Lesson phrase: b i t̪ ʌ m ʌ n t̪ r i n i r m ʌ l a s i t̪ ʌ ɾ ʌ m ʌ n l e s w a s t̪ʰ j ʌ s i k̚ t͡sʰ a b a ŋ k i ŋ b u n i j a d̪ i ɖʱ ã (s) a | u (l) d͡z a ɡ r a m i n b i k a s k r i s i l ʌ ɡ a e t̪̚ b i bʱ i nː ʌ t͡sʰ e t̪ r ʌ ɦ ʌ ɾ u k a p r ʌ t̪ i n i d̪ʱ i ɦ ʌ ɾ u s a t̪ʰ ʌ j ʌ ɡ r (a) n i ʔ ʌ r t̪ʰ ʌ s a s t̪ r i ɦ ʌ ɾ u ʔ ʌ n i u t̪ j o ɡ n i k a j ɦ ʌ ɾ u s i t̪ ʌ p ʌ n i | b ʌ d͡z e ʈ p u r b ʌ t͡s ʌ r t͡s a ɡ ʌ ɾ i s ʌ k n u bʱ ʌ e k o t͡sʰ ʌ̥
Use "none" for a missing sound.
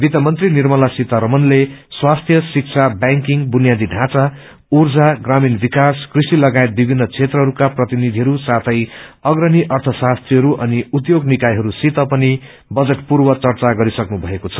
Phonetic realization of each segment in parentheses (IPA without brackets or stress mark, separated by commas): t͡s, r, ʌ